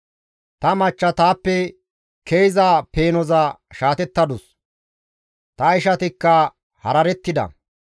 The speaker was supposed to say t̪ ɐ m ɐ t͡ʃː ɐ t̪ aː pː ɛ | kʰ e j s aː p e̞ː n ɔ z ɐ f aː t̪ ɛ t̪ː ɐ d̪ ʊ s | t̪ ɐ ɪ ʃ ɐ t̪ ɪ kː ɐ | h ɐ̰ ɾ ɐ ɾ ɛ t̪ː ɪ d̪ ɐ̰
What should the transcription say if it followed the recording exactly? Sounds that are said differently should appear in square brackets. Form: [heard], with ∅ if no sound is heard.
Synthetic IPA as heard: t̪ ɐ m ɐ t͡ʃː ɐ t̪ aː pː ɛ | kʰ e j [z] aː p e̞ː n ɔ z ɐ [ʃ] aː t̪ ɛ t̪ː ɐ d̪ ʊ s | t̪ ɐ ɪ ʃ ɐ t̪ ɪ kː ɐ | h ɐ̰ ɾ ɐ ɾ ɛ t̪ː ɪ d̪ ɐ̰